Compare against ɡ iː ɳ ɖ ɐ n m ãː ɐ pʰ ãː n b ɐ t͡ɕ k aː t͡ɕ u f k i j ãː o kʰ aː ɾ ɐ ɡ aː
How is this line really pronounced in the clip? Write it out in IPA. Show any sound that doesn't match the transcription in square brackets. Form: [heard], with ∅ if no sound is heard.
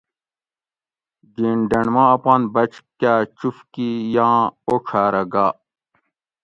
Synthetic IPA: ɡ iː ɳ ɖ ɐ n m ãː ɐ [p] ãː n b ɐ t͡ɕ k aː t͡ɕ u f k i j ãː o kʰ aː ɾ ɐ ɡ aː